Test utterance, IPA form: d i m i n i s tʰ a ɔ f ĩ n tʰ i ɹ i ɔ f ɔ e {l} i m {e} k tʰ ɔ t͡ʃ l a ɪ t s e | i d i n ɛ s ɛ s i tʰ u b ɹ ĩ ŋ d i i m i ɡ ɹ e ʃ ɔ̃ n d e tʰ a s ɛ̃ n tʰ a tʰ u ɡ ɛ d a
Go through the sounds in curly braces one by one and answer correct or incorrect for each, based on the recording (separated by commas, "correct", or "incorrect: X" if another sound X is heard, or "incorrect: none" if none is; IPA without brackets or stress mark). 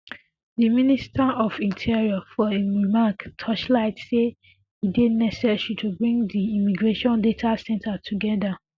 incorrect: ɹ, incorrect: a